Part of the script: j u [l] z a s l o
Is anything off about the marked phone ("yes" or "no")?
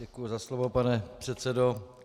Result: yes